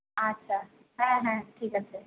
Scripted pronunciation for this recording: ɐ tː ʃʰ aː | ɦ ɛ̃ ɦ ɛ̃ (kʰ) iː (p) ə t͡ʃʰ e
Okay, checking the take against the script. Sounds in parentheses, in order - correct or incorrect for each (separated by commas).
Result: incorrect, incorrect